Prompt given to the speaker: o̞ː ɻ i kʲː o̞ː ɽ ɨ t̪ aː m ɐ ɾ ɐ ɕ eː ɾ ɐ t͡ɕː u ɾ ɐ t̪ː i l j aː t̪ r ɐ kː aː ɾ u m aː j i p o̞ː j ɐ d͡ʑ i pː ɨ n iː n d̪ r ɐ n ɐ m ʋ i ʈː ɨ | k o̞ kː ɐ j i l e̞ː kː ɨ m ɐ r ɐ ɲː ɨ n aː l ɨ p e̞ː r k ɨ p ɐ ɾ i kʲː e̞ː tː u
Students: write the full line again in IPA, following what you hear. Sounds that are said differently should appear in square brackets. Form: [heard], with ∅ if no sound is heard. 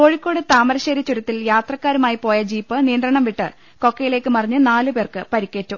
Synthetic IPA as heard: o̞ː ɻ i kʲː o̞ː ɽ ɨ t̪ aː m ɐ ɾ ɐ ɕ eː ɾ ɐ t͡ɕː u ɾ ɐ t̪ː i l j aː t̪ r ɐ kː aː ɾ u m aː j i p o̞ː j ɐ d͡ʑ [iː] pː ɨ n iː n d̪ r ɐ [ɳ] ɐ m ʋ i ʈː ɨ | k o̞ kː ɐ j i l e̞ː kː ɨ m ɐ r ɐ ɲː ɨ n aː l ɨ p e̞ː r k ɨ p ɐ ɾ i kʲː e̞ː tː u